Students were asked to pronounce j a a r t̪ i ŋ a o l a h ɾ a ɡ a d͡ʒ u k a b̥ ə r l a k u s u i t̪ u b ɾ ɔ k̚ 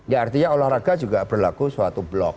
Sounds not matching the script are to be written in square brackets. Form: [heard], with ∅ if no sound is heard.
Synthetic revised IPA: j a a r t̪ i [ɲ] a o l a h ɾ a ɡ a d͡ʒ u [ɡ] a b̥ ə r l a k u s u [a] t̪ u b [l] ɔ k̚

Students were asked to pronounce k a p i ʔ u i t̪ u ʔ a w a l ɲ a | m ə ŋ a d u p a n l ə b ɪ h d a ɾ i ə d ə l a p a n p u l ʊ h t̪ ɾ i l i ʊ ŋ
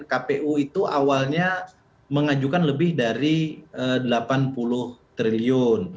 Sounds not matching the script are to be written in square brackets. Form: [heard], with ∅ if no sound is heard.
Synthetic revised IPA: k a p [e] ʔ u i t̪ u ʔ a w a l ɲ a | m ə ŋ a [d͡ʒ] u [k] a n l ə b ɪ h d a ɾ i ə d ə l a p a n p u l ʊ h t̪ ɾ i l i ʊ [n]

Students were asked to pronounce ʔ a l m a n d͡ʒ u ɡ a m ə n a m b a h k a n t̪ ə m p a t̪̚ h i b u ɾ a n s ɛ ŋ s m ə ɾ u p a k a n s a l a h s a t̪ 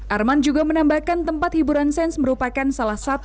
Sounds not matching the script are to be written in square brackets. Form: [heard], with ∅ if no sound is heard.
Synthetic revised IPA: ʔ a [r] m a n d͡ʒ u ɡ a m ə n a m b a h k a n t̪ ə m p a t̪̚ h i b u ɾ a n s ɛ [n] s m ə ɾ u p a k a n s a l a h s a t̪

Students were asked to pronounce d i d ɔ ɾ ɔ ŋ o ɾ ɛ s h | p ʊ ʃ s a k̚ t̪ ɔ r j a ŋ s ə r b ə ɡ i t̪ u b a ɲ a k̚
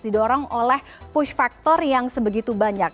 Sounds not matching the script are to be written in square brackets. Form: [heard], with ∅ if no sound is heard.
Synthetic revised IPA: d i d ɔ ɾ ɔ ŋ o [l] ɛ [∅] h | p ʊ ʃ [f] a k̚ t̪ ɔ r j a ŋ s ə [∅] b ə ɡ i t̪ u b a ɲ a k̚

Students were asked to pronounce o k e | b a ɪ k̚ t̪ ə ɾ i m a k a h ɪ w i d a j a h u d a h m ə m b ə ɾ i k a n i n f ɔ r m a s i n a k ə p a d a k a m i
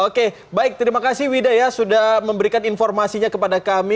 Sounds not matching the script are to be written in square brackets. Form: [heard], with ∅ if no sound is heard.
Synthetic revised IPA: o k e | b a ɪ k̚ t̪ ə ɾ i m a k a [s] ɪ w i d a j a [s] u d a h m ə m b ə ɾ i k a n i n f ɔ r m a s i [ɲ] a k ə p a d a k a m i

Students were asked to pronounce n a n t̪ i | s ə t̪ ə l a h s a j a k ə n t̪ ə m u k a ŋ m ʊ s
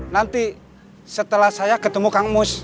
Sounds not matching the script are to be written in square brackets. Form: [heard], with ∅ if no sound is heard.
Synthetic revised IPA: n a n t̪ i | s ə t̪ ə l a h s a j a k ə [∅] t̪ ə m u k a ŋ m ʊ s

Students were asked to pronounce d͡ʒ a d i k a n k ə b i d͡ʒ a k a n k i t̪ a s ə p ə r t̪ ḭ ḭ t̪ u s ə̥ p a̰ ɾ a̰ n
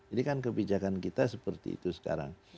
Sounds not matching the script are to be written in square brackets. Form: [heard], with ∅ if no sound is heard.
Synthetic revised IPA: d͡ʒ a d i k a n k ə b i d͡ʒ a k a n k i t̪ a s ə p ə r t̪ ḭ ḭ t̪ u s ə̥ [k] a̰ ɾ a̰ [ŋ]

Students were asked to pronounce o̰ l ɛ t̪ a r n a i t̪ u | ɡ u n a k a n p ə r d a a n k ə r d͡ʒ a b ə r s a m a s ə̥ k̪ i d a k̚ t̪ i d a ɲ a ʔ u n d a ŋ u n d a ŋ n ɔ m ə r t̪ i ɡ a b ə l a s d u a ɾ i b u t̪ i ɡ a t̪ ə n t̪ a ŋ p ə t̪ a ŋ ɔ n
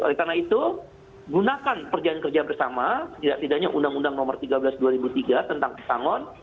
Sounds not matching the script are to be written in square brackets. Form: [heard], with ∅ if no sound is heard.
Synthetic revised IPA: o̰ l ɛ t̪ a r n a i t̪ u | ɡ u n a k a n p ə r [d͡ʒ] a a n k ə r d͡ʒ a b ə r s a m a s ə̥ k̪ i d a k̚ t̪ i d a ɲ a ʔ u n d a ŋ u n d a ŋ n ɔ m ə r t̪ i ɡ a b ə l a s d u a ɾ i b u t̪ i ɡ a t̪ ə n t̪ a ŋ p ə t̪ a ŋ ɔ n

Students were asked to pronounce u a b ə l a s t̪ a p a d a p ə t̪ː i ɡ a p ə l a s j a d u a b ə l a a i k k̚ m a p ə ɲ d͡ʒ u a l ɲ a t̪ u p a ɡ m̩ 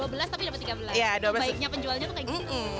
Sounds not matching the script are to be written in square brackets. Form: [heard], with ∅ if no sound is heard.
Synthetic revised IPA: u a b ə l a s t̪ a p [i] d a p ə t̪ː i ɡ a [b] ə l a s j a d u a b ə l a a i k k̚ [ɲ] a p ə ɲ d͡ʒ u a l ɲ a t̪ u [k] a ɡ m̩

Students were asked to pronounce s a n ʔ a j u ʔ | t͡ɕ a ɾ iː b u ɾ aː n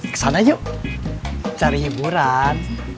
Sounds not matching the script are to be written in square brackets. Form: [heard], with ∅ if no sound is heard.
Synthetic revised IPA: s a n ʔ a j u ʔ | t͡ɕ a ɾ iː b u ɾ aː n

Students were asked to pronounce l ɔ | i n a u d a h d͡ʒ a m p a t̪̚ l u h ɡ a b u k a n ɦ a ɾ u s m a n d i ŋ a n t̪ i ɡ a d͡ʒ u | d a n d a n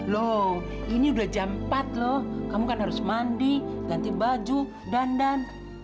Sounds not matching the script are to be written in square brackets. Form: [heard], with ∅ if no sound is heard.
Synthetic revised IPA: l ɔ | i n [i] u d a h d͡ʒ a m p a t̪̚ l [ɔ] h [k] a [m] u k a n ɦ a ɾ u s m a n d i [ɡ] a n t̪ i [b] a d͡ʒ u | d a n d a n

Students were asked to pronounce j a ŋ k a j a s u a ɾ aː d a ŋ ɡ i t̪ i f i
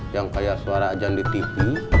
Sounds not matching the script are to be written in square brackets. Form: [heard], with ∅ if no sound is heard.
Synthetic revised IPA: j a ŋ k a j a s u a ɾ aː [d͡ʒ] a ŋ [d] i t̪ i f i

